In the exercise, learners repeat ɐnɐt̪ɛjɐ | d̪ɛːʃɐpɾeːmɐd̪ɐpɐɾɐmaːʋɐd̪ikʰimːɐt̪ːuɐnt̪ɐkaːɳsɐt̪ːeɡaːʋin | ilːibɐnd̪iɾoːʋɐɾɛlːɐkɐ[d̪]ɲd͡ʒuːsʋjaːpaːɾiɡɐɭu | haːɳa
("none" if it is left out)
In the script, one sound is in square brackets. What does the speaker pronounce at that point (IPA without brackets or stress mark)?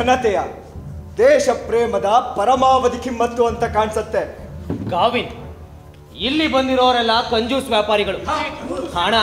none